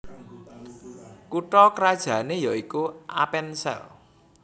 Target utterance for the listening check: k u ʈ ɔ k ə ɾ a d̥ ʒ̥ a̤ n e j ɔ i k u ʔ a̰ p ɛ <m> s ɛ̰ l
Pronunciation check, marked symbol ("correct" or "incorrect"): incorrect